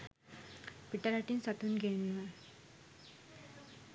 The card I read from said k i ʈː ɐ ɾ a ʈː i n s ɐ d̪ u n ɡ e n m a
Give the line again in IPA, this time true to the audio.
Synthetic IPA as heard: p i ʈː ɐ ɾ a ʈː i n s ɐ t̪ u n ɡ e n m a